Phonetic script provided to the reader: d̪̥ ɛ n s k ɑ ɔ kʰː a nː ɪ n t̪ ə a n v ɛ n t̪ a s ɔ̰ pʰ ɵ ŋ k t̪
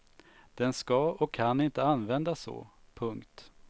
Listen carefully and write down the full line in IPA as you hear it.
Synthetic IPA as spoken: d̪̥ ɛ n s k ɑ ɔ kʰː a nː ɪ n t̪ ə a n v ɛ n d̪ a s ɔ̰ pʰ ɵ ŋ k t̪

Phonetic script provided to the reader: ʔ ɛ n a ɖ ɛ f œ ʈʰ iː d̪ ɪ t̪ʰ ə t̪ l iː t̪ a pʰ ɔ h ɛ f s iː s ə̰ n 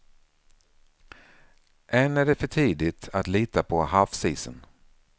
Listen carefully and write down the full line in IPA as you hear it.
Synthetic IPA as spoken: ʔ ɛ n æ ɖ ɛ f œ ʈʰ iː d̪ ɪ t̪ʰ a t̪ l iː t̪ a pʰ ɔ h a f s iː s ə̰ n

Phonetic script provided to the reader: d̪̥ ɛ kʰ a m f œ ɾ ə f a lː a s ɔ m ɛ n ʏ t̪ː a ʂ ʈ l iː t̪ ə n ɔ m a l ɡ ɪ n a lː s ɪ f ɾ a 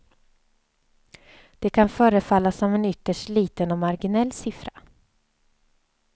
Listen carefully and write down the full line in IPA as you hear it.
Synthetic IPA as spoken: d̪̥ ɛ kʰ a n f œː ɾ ə f a lː a s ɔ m ɛ n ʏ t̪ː ə ʂ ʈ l iː t̪ ə n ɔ m a ɾ ɡ ɪ n ɛ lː s ɪ f ɾ a

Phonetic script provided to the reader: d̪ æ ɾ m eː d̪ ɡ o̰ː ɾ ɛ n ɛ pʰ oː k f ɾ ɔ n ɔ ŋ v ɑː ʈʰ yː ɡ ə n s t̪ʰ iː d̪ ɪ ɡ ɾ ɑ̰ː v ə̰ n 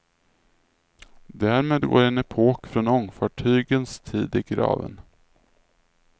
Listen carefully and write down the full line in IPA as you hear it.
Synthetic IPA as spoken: d̪ æ ɾ m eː d̪ ɡ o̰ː ɾ ɛ n ɛ pʰ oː k f ɾ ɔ n ɔ ŋ f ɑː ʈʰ yː ɡ ə n s t̪ʰ iː d̪ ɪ ɡ ɾ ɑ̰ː v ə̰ n

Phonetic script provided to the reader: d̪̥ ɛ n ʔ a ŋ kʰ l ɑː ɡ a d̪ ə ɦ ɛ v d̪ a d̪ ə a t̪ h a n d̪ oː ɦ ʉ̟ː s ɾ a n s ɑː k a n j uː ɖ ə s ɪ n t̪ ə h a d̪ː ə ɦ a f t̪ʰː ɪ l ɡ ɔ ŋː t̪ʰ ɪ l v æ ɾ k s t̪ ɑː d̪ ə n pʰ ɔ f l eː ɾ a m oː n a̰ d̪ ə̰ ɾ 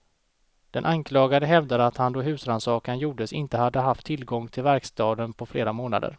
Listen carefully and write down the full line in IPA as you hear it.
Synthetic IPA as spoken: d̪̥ ɛ n ʔ a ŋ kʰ l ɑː ɡ a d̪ ə ɦ ɛ v d̪ a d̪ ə a t̪ h a n d̪ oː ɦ ʉ̟ː s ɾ a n s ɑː k a n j uː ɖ ə s ɪ n t̪ ə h a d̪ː ə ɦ a f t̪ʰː ɪ l ɡ ɔ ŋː t̪ʰ ɪ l v æ ɾ k s t̪ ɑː d̪ ə n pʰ ɔ f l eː ɾ a m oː n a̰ d̪ ə̰ ɾ

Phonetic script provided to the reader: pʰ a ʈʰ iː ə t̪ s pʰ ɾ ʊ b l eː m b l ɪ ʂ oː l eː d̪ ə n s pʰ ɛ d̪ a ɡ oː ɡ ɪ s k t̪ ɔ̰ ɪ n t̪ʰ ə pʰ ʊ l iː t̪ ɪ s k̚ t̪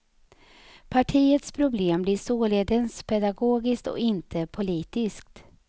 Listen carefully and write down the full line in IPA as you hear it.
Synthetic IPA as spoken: pʰ a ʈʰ iː ə t̪ s pʰ ɾ ʊ b l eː m b l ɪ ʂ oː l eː d̪ ə n s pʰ ɛ d̪ a ɡ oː ɡ ɪ s k t̪ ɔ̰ ɪ n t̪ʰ ə pʰ ʊ l iː t̪ ɪ s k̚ t̪

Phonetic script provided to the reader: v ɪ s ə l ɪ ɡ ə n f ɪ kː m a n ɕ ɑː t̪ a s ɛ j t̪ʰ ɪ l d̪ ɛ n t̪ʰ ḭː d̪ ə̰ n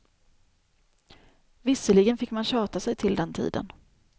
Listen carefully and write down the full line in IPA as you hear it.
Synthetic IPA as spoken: v ɪ s ə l ɪ ɡ ə n f ɪ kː m a n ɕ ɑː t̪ a s ɛ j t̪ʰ ɪ l d̪ ɛ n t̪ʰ ḭː d̪ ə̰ n

